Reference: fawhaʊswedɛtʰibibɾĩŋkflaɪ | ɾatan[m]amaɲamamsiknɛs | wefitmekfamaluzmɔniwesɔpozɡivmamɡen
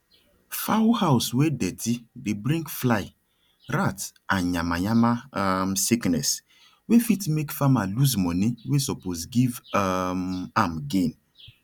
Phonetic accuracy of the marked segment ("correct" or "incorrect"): incorrect